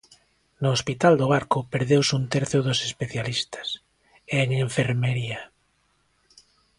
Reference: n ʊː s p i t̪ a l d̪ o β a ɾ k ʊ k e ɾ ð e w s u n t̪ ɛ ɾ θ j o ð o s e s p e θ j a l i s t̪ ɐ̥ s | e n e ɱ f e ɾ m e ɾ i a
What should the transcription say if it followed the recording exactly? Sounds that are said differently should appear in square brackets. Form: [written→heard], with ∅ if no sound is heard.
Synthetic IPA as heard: n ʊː s p i t̪ a l d̪ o β a ɾ k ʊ [k→p] e ɾ ð e w s u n t̪ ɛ ɾ θ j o ð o s e s p e θ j a l i s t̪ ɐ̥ s | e [n→ŋ] e ɱ f e ɾ m e ɾ i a